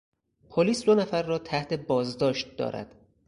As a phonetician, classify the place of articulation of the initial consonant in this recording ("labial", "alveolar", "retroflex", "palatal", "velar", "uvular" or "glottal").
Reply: labial